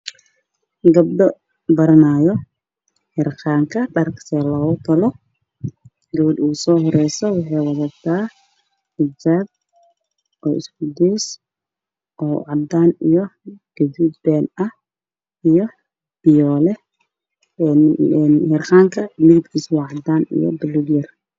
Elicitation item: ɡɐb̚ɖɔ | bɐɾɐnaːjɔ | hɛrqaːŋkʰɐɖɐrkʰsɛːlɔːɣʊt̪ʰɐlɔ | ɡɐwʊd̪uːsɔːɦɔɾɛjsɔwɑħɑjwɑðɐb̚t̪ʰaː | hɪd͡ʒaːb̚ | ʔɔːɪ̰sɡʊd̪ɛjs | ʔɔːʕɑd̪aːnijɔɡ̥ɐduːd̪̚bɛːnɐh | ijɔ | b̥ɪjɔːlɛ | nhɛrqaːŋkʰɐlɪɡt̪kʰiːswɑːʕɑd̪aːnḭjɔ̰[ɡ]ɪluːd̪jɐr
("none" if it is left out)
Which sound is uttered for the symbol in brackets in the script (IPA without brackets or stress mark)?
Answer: b